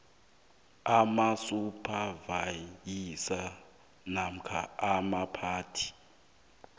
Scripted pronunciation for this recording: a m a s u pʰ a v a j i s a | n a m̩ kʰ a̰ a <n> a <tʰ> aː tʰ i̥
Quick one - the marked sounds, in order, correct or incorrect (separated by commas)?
incorrect, incorrect